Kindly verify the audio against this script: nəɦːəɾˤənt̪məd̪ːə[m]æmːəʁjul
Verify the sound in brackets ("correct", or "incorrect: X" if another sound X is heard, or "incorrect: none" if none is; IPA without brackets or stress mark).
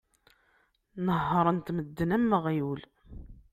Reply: incorrect: n